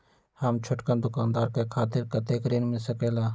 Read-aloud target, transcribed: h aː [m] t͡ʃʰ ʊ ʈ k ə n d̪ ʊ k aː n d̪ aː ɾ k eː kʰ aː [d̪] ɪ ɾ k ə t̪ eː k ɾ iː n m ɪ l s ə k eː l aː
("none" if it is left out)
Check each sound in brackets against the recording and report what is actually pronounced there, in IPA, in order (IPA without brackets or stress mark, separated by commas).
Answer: m, t̪